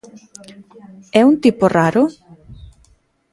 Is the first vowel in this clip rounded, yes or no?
no